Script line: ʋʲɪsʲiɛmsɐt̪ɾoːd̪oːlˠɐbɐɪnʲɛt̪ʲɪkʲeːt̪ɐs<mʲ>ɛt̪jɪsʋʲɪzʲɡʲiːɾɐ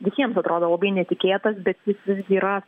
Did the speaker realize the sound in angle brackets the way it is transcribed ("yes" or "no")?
no